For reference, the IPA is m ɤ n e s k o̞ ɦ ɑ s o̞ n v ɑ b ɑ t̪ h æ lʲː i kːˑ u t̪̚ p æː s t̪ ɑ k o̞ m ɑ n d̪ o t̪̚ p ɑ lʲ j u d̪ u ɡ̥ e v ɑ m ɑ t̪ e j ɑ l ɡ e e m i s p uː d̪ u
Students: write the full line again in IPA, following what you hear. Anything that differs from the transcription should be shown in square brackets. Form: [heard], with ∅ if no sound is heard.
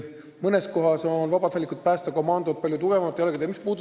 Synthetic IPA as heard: m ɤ n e s k o̞ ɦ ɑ s o̞ n v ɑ b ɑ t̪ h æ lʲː i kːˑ u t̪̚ p æː s t̪ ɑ k o̞ m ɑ n d̪ o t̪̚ p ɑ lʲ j u [t̪] u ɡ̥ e v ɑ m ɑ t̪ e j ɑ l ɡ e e m i s p uː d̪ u